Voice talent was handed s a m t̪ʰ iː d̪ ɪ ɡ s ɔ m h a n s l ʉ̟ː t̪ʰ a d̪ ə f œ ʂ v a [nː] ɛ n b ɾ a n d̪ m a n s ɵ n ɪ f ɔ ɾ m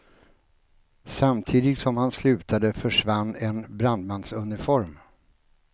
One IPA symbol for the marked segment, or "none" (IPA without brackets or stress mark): nː